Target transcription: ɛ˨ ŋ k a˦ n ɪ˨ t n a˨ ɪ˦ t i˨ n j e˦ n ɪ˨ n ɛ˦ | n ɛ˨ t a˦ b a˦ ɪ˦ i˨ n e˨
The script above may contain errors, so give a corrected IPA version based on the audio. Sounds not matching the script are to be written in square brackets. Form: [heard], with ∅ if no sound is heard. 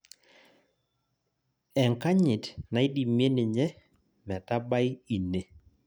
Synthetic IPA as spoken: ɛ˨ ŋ k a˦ [ɲ] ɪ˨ t n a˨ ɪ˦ [d] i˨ [m] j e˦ n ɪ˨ [ɲ] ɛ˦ | [m] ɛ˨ t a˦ b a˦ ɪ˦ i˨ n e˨